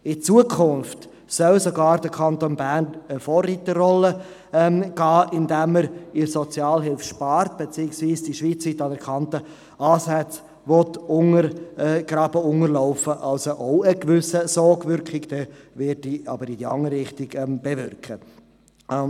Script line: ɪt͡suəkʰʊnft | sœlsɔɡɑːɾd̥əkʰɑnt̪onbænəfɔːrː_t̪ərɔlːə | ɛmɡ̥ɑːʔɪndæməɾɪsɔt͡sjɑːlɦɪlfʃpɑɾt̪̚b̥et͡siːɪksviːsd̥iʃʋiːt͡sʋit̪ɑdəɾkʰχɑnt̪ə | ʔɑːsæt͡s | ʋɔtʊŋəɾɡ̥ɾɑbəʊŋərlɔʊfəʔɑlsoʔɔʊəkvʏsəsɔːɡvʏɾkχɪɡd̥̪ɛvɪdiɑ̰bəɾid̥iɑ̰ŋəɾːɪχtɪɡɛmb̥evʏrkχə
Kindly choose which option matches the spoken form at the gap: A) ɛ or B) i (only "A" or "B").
B